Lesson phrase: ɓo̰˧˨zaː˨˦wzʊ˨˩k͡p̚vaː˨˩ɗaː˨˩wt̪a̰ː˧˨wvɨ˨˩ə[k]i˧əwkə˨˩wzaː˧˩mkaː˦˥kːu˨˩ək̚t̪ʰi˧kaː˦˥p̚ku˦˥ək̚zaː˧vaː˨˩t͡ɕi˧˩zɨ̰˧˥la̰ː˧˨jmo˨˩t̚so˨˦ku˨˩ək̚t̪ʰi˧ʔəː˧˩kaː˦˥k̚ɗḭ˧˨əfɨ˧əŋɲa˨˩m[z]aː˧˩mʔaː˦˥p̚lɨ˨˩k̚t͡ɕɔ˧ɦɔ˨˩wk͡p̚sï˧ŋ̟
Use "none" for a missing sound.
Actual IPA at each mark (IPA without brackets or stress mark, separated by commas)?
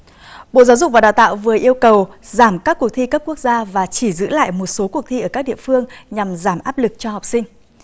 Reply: ʔ, z